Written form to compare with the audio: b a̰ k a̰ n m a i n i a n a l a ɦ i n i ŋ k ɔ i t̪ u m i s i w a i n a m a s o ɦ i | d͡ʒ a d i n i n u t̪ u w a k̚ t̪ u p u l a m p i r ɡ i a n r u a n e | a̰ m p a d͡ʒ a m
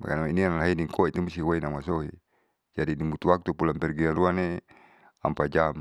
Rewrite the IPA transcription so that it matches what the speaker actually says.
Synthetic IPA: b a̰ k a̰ n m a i n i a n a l a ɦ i n i ŋ k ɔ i t̪ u m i s i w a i n a m a s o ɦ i | d͡ʒ a d i n i m u t̪ u w a k̚ t̪ u p u l a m p ɛ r ɡ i a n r u a n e | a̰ m p a d͡ʒ a m